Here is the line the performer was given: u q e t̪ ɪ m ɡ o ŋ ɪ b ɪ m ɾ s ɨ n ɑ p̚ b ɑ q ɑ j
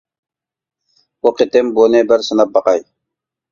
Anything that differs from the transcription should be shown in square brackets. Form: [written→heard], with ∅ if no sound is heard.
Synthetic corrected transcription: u q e t̪ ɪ m [ɡ→b] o [ŋ→n] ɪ b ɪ [m→∅] ɾ s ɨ n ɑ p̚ b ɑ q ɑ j